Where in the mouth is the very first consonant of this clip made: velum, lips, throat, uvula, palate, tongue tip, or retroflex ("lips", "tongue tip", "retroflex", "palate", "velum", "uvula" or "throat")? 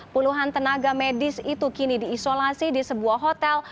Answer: lips